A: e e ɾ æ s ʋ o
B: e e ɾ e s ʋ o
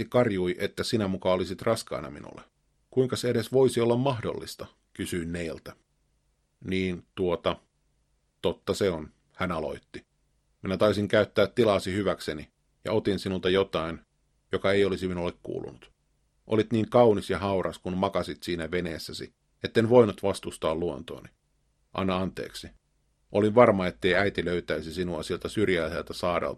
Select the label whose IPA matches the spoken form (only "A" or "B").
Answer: B